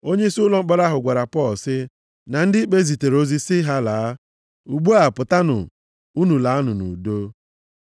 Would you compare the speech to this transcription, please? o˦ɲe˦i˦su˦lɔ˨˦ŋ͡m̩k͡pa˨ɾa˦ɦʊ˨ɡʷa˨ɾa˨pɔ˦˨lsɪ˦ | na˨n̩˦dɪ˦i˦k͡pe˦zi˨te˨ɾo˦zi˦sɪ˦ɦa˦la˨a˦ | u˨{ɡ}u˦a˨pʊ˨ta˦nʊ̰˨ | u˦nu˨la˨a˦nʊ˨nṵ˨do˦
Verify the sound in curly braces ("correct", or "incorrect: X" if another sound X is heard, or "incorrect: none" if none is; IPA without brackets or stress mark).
incorrect: ɡ͡b